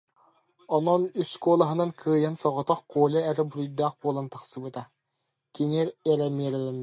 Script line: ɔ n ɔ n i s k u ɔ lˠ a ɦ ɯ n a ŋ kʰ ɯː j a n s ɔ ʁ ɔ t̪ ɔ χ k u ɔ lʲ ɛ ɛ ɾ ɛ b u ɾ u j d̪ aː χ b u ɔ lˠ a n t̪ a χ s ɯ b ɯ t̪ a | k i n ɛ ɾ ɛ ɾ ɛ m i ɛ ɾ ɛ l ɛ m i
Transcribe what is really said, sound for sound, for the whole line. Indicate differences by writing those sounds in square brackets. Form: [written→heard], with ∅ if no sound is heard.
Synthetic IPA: ɔ n ɔ n [i→y] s k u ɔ lˠ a ɦ ɯ n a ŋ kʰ ɯː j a n s ɔ ʁ ɔ t̪ ɔ χ k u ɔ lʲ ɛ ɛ ɾ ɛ b u ɾ u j d̪ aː χ b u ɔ lˠ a n t̪ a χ s ɯ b ɯ t̪ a | k i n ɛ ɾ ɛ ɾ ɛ m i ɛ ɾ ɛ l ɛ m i